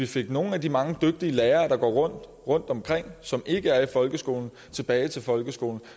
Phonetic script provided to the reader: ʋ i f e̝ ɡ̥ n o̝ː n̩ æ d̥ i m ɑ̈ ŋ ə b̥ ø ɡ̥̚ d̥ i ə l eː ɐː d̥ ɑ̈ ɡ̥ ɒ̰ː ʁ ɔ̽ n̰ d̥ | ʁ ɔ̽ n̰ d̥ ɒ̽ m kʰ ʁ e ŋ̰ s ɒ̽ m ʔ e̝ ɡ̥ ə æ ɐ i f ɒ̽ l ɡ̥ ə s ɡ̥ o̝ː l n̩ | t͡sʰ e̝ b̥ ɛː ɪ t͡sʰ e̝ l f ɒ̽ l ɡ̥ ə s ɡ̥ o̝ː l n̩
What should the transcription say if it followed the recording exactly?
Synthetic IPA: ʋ i f e̝ ɡ̥ n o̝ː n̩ æ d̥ i m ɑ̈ ŋ ə d̥ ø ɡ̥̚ d̥ i ə l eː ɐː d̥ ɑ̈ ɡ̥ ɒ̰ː ʁ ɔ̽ n̰ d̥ | ʁ ɔ̽ n̰ d̥ ɒ̽ m kʰ ʁ e ŋ̰ s ɒ̽ m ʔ e̝ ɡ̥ ə æ ɐ i f ɒ̽ l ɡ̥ ə s ɡ̥ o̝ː l n̩ | t͡sʰ e̝ b̥ ɛː ɪ t͡sʰ e̝ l f ɒ̽ l ɡ̥ ə s ɡ̥ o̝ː l n̩

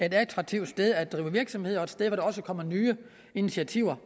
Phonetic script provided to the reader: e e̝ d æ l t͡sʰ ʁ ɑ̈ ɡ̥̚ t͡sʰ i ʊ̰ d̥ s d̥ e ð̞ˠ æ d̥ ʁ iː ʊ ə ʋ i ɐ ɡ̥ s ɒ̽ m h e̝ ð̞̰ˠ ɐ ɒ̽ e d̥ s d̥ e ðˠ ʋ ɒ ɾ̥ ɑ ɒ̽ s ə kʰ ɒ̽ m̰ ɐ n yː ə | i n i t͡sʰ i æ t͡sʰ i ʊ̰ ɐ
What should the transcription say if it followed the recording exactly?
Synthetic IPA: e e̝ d æ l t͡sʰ ʁ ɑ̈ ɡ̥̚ t͡sʰ i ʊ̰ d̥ s d̥ e ð̞ˠ æ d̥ ʁ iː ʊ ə ʋ i ɐ ɡ̥ s ɒ̽ m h e̝ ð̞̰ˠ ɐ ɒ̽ e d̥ s d̥ e ðˠ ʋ ɒ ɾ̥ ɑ ɒ̽ s ə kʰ ɒ̽ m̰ ɐ n yː ə | i n i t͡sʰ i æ t͡sʰ i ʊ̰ ɐ

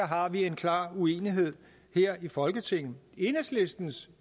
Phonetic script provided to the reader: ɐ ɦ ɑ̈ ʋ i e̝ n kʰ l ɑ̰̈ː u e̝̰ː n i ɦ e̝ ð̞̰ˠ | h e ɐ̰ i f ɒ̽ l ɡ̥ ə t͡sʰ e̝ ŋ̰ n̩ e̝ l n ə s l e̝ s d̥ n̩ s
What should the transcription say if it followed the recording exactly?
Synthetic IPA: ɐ ɦ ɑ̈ ʋ i e̝ n kʰ l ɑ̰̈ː u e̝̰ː n i ɦ e̝ ð̞̰ˠ | h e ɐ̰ i f ɒ̽ l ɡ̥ ə t͡sʰ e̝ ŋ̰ n̩ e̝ n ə s l e̝ s d̥ n̩ s

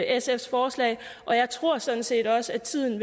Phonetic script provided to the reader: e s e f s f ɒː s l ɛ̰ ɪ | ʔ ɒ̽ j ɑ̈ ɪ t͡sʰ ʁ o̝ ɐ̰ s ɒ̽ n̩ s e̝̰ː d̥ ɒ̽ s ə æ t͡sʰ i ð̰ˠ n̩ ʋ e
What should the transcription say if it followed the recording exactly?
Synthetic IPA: e s e f s f ɒː s l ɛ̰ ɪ | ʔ ɒ̽ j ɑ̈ ɪ t͡sʰ ʁ o̝ ɐ̰ s ɒ̽ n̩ s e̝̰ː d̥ ɒ̽ s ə æ t͡sʰ i ð̰ˠ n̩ ʋ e

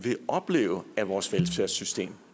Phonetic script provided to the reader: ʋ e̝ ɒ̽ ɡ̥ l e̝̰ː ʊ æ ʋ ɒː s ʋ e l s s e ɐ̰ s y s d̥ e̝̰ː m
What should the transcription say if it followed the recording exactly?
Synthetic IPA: ʋ e̝ ɒ̽ b̥ l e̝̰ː ʊ æ ʋ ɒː s ʋ e l s f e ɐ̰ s y s d̥ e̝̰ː m

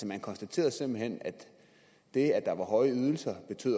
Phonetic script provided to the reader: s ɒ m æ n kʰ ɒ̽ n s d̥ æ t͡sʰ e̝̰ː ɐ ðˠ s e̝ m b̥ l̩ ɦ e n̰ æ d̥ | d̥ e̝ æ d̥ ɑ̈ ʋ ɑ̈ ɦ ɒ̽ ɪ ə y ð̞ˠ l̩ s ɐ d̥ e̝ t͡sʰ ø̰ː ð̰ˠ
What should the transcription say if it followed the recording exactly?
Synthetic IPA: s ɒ m æ n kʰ ɒ̽ n s d̥ æ t͡sʰ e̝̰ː ɐ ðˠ s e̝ m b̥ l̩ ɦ e n̰ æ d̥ | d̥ e̝ æ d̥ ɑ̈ ʋ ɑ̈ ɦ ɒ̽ ɪ ə y ð̞ˠ l̩ s ɐ b̥ e̝ t͡sʰ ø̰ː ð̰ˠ

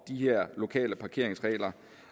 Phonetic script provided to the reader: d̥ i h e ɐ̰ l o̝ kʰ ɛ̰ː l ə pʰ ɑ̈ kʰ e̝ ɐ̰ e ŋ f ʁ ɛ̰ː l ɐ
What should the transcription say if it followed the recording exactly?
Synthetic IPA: d̥ i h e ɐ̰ l o̝ kʰ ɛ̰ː l ə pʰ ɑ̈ kʰ e̝ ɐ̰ e ŋ s ʁ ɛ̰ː l ɐ

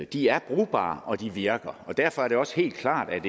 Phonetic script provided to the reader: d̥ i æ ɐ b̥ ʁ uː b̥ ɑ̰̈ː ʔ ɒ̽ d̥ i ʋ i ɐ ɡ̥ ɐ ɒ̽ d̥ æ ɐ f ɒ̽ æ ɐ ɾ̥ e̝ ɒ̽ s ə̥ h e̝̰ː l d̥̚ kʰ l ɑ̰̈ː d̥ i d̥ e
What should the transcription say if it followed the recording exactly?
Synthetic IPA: d̥ i æ ɐ b̥ ʁ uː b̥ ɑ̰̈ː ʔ ɒ̽ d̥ i ʋ i ɐ ɡ̥ ɐ ɒ̽ d̥ æ ɐ f ɒ̽ æ ɐ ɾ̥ e̝ ɒ̽ s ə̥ h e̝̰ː l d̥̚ kʰ l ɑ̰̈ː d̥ æ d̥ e

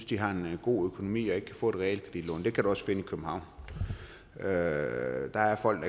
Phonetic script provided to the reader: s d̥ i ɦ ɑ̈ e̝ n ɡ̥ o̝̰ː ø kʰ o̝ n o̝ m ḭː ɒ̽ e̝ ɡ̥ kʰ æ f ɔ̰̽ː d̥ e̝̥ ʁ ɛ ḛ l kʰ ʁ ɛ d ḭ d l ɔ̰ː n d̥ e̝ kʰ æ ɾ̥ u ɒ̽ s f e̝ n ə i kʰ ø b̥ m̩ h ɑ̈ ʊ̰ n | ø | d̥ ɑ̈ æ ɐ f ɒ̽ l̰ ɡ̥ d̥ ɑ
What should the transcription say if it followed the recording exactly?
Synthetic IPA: s d̥ i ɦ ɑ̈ e̝ n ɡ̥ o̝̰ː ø kʰ o̝ n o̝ m ḭː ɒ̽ e̝ ɡ̥ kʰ æ f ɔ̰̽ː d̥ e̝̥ ʁ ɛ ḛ l kʰ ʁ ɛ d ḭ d l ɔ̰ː n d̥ e̝ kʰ æ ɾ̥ u ɒ̽ s f e̝ n ə i kʰ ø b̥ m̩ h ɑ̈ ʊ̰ n | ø | d̥ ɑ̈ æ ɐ f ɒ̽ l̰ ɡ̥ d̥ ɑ

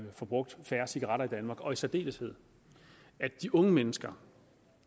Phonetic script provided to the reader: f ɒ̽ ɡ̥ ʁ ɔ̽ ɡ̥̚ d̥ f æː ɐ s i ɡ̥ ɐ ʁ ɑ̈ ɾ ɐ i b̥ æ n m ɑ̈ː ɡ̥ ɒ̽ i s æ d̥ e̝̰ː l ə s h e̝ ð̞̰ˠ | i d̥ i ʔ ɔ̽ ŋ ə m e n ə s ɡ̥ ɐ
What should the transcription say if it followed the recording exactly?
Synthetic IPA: f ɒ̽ b̥ ʁ ɔ̽ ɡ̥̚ d̥ f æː ɐ s i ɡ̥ ɐ ʁ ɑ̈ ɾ ɐ i d̥ æ n m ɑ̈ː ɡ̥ ɒ̽ i s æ d̥ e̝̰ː l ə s h e̝ ð̞̰ˠ | æ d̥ i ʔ ɔ̽ ŋ ə m e n ə s ɡ̥ ɐ

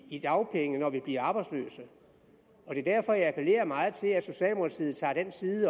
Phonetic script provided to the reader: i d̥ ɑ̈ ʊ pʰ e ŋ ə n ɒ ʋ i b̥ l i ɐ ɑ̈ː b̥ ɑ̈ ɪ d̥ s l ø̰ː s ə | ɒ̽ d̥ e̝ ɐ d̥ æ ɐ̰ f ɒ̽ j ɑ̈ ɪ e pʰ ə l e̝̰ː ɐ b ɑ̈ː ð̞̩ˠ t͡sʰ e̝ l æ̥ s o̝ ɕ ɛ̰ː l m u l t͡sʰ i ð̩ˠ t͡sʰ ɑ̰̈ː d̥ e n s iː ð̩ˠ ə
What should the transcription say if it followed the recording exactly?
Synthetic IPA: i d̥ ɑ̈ ʊ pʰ e ŋ ə n ɒ ʋ i b̥ l i ɐ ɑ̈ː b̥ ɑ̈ ɪ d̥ s l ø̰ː s ə | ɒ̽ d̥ e̝ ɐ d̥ æ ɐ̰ f ɒ̽ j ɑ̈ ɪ æ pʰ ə l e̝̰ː ɐ m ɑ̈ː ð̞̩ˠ t͡sʰ e̝ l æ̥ s o̝ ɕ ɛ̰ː l m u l t͡sʰ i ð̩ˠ t͡sʰ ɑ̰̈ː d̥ e n s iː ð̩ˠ ə

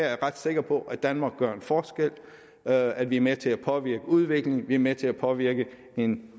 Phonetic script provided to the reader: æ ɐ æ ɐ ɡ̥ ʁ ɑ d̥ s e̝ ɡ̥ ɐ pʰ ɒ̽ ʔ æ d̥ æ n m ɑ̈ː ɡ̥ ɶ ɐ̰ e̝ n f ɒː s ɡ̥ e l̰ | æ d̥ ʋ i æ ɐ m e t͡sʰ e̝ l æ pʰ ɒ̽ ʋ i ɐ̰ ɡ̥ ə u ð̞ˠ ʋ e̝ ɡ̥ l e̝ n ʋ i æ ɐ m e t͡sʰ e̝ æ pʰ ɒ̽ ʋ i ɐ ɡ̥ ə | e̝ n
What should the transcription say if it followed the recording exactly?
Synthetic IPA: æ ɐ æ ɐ ʁ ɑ d̥ s e̝ ɡ̥ ɐ pʰ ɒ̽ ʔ æ d̥ æ n m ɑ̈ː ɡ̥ ɶ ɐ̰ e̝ n f ɒː s ɡ̥ e l̰ | æ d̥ ʋ i æ ɐ m e t͡sʰ e̝ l æ pʰ ɒ̽ ʋ i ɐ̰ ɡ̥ ə u ð̞ˠ ʋ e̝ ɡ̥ l e̝ ŋ ʋ i æ ɐ m e t͡sʰ e̝ æ pʰ ɒ̽ ʋ i ɐ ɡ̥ ə | e̝ n

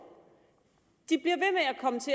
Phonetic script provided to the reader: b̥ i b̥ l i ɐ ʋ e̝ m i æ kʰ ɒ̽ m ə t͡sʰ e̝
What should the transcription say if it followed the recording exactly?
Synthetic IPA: d̥ i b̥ l i ɐ ʋ e̝ m e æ kʰ ɒ̽ m ə t͡sʰ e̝

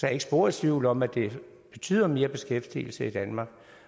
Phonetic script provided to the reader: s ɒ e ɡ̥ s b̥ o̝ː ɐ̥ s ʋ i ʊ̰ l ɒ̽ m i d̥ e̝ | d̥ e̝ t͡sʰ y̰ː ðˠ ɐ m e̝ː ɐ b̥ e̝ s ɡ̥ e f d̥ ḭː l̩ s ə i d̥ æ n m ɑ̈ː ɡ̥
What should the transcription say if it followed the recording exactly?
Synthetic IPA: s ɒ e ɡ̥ s b̥ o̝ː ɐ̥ s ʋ i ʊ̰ l ɒ̽ m æ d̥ e̝ | b̥ e̝ t͡sʰ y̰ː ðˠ ɐ m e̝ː ɐ b̥ e̝ s ɡ̥ e f d̥ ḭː l̩ s ə i d̥ æ n m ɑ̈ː ɡ̥

